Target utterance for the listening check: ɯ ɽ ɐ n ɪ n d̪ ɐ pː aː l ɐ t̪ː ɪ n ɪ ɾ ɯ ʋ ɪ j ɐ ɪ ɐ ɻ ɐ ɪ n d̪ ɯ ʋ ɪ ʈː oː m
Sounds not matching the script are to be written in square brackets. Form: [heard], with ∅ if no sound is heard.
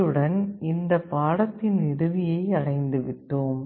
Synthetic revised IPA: ɯ ɽ ɐ n ɪ n d̪ ɐ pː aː [ɽ] ɐ t̪ː ɪ n ɪ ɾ ɯ ʋ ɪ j ɐ ɪ ɐ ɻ ɐ ɪ n d̪ ɯ ʋ ɪ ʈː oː m